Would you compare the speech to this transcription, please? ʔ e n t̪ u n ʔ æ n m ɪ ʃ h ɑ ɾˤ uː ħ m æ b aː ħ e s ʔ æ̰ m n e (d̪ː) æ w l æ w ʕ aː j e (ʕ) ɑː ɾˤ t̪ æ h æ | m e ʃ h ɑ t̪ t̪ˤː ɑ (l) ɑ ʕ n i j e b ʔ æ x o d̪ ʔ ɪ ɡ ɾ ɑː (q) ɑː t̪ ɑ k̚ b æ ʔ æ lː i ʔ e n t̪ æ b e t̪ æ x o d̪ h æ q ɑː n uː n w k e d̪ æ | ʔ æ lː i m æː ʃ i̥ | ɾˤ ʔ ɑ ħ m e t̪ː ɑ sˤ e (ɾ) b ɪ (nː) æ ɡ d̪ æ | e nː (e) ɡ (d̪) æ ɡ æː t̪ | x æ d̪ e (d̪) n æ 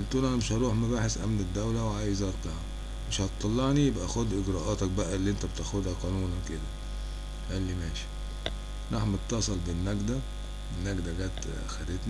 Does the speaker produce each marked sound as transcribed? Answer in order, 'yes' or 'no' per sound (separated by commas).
yes, no, no, no, no, yes, no, yes, no